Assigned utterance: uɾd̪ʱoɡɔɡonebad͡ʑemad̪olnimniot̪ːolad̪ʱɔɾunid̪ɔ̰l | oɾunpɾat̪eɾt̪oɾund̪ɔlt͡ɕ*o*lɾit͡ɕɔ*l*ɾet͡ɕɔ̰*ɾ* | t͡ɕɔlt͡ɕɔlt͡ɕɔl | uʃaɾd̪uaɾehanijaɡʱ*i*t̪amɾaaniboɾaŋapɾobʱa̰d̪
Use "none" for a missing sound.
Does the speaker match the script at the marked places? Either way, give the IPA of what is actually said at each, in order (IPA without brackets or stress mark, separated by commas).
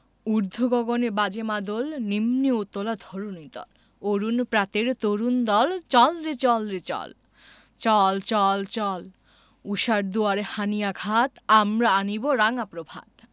ɔ, l, l, a